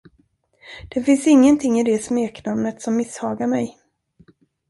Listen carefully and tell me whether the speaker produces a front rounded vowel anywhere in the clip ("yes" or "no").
no